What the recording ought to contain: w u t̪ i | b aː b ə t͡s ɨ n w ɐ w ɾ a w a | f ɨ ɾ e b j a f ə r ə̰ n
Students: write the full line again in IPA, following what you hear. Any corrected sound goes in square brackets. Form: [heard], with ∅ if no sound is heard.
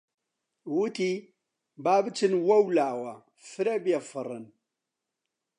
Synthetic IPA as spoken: w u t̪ i | b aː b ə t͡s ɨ n w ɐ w [l] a w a | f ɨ ɾ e b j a f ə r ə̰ n